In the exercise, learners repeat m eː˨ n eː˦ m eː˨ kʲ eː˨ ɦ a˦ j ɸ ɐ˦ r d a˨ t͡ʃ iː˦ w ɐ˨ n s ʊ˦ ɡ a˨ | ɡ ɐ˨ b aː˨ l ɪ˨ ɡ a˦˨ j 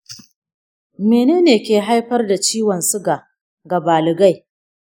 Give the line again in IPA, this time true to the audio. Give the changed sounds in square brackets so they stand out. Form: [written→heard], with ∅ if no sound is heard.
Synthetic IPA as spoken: m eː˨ n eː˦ [m→n] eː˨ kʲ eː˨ ɦ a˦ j ɸ ɐ˦ r d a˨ t͡ʃ iː˦ w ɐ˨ n s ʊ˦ ɡ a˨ | ɡ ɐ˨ b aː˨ l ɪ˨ ɡ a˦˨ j